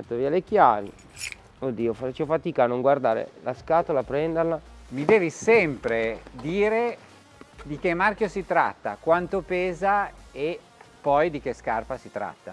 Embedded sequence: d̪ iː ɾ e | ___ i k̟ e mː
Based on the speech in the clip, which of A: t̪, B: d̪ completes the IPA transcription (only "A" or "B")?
B